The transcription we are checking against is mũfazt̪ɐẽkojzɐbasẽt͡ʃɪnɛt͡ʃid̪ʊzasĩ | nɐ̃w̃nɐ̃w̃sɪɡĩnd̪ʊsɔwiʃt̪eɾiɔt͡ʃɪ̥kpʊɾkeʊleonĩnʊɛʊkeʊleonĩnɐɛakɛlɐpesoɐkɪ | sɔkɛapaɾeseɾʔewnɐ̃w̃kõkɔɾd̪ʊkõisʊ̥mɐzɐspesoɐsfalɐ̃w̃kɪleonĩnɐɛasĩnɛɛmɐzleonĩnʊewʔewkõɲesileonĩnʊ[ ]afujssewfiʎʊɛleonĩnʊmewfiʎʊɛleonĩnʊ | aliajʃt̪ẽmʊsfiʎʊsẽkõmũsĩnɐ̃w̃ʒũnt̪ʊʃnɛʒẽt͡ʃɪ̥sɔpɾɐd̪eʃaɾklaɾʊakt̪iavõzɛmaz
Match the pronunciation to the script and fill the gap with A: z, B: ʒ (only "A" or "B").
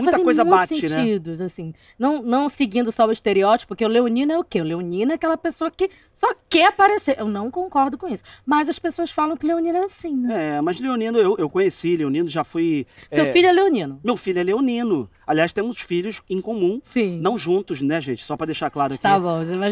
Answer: B